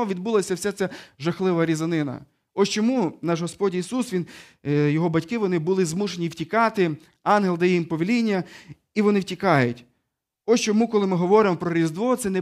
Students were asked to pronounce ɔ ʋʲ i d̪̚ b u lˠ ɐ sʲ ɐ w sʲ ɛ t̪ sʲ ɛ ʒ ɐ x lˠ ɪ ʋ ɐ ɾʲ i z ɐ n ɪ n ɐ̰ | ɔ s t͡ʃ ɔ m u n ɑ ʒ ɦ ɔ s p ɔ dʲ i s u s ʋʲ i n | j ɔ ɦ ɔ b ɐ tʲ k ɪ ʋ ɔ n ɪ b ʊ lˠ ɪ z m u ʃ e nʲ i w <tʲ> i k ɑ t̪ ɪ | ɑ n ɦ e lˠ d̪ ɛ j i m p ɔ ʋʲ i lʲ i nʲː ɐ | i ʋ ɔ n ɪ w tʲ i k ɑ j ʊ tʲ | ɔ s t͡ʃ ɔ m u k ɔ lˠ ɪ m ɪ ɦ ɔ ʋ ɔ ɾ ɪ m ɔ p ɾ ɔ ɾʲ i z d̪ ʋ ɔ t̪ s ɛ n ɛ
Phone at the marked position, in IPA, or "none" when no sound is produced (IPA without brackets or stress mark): tʲ